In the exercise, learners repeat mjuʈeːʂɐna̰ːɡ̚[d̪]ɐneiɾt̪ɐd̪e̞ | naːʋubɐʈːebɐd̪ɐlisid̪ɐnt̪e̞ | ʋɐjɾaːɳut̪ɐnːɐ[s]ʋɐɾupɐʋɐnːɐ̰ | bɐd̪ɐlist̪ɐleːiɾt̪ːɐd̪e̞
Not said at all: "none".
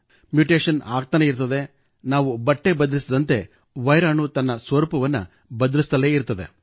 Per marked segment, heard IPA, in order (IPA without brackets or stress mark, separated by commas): t̪, s